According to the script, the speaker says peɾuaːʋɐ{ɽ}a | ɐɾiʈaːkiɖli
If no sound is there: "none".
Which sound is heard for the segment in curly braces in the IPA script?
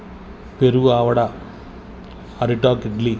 ɽ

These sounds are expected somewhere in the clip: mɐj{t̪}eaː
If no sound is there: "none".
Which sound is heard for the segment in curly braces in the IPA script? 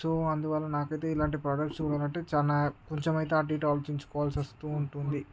t̪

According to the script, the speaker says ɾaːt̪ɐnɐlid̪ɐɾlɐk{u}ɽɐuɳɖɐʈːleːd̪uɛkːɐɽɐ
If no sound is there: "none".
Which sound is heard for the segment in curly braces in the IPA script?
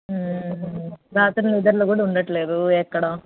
uː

